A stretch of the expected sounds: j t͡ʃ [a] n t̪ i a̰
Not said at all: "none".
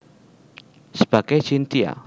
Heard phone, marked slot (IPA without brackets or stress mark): i